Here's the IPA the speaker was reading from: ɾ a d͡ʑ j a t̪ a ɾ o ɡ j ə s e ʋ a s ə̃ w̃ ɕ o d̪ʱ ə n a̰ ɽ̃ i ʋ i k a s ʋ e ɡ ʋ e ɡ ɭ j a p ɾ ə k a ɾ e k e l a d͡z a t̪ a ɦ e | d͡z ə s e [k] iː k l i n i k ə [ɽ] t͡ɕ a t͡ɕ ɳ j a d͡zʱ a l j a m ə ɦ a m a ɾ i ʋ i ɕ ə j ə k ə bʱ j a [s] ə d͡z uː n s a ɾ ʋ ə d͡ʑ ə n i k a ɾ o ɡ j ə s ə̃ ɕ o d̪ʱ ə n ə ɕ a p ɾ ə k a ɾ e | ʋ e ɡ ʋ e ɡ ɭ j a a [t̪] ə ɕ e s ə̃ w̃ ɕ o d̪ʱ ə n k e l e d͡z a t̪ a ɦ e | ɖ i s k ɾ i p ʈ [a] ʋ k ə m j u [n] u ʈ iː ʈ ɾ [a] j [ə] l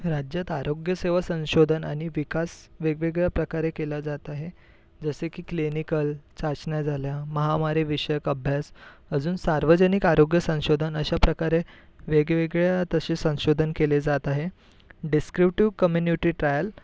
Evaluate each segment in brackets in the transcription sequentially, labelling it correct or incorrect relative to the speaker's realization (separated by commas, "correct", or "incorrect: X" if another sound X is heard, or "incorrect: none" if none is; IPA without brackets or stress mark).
correct, incorrect: l, correct, correct, incorrect: i, correct, correct, correct